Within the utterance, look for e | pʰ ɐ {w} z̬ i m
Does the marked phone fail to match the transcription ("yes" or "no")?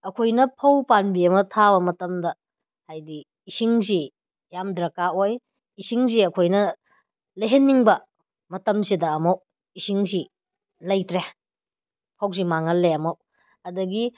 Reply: no